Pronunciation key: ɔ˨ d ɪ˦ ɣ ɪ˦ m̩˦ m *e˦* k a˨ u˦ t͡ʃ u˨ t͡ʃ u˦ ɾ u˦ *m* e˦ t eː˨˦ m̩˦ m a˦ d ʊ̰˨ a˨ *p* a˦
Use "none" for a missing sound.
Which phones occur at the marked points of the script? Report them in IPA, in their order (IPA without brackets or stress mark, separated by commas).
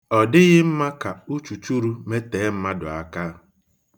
a˦, m, k